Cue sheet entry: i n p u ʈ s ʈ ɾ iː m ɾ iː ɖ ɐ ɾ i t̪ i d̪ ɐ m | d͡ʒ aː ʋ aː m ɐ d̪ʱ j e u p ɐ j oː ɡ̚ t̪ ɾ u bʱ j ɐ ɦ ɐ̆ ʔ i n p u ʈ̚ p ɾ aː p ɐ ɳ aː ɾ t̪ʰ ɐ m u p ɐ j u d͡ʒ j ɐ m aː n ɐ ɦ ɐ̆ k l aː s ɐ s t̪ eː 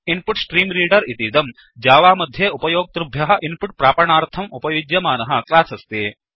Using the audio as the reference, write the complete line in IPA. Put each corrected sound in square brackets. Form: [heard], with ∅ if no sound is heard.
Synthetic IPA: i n p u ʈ s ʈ ɾ iː m ɾ iː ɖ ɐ ɾ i t̪ i d̪ ɐ m | d͡ʒ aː ʋ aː m ɐ d̪ʱ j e u p ɐ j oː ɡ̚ t̪ ɾ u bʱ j ɐ ɦ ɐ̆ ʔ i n p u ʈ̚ p ɾ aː p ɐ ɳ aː ɾ t̪ʰ ɐ m u p ɐ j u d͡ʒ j ɐ m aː n ɐ ɦ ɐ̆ k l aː s ɐ s t̪ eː